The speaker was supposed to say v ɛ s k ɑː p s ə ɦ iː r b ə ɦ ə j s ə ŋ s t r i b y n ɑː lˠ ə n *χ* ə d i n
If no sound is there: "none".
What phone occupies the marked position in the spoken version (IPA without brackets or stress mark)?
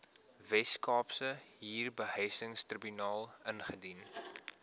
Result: χ